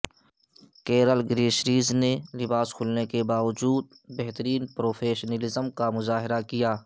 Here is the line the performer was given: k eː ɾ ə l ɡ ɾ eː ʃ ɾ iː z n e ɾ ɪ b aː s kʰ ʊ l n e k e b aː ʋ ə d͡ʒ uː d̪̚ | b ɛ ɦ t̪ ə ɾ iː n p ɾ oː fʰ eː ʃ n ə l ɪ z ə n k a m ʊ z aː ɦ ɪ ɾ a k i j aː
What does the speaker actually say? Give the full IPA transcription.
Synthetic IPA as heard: k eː ɾ ə l ɡ ɾ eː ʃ ɾ iː z n e l ɪ b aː s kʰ ʊ l n e k e b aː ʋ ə d͡ʒ uː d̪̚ | b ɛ ɦ t̪ ə ɾ iː n p ɾ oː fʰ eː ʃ n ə l ɪ z ə m k a m ʊ z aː ɦ ɪ ɾ a k i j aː